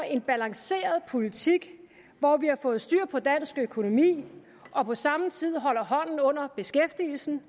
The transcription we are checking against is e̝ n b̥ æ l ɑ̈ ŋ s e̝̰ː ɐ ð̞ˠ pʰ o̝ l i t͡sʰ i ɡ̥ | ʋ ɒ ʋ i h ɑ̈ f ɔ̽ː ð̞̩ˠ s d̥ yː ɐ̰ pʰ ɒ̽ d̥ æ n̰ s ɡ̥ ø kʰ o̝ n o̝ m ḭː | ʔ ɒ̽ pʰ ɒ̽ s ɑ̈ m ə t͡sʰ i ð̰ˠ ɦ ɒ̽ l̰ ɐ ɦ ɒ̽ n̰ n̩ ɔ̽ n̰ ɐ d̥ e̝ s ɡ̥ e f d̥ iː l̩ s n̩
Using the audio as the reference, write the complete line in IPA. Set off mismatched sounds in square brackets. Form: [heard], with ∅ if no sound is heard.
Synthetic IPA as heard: e̝ n b̥ æ l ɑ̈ ŋ s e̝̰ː ɐ ð̞ˠ pʰ o̝ l i t͡sʰ i ɡ̥ | ʋ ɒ ʋ i h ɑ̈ f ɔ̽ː ð̞̩ˠ s d̥ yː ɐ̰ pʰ ɒ̽ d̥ æ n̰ s ɡ̥ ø kʰ o̝ n o̝ m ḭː | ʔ ɒ̽ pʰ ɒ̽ s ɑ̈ m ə t͡sʰ i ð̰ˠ ɦ ɒ̽ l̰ ɐ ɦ ɒ̽ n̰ n̩ ɔ̽ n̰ ɐ [b̥] e̝ s ɡ̥ e f d̥ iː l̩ s n̩